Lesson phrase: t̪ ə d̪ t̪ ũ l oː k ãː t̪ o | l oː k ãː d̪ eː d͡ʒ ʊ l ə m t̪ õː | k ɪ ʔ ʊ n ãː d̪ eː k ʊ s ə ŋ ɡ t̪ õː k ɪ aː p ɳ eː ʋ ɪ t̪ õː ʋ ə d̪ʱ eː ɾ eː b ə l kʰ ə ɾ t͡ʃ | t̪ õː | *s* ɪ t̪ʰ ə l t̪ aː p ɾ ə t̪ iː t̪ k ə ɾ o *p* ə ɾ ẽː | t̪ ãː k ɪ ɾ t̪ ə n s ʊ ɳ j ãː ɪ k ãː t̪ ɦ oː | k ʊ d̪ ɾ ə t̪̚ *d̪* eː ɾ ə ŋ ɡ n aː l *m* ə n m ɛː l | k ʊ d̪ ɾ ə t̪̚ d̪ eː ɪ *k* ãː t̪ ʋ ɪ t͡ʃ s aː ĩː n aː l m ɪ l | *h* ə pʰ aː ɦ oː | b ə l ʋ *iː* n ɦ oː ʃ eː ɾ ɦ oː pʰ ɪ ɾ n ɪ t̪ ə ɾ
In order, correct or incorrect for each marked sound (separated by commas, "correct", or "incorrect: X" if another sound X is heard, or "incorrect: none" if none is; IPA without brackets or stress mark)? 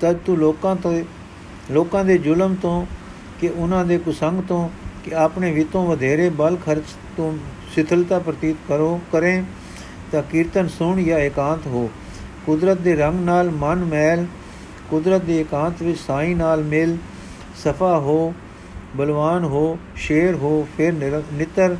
correct, incorrect: k, correct, correct, correct, incorrect: s, incorrect: aː